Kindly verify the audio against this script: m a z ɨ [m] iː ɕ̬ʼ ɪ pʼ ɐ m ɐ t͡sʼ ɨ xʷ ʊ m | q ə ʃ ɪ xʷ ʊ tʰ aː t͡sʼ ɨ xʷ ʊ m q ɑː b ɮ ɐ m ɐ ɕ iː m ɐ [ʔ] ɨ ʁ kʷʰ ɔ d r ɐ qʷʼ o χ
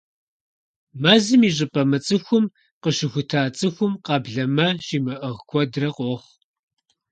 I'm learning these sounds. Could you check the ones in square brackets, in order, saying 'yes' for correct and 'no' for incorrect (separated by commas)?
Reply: yes, yes